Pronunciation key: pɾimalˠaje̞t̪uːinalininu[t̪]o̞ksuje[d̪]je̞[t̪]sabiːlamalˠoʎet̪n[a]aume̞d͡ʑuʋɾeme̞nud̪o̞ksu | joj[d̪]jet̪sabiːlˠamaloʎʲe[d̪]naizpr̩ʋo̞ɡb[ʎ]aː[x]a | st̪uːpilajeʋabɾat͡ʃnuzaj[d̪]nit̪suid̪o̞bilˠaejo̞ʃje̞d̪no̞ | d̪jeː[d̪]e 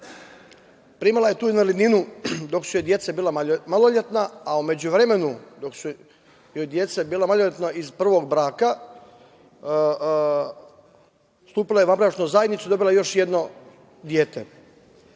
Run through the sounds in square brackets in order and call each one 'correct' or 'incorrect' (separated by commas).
incorrect, correct, correct, correct, correct, incorrect, incorrect, incorrect, correct, incorrect